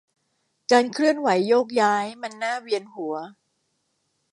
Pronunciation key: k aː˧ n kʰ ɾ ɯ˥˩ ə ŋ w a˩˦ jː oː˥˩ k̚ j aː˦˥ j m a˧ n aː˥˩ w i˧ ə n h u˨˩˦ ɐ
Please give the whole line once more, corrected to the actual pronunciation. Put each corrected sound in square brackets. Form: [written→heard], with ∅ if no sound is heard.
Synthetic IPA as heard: k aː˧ n kʰ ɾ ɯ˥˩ ə [ŋ→n] w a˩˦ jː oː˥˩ k̚ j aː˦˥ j m a˧ [n→nː] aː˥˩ w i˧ ə n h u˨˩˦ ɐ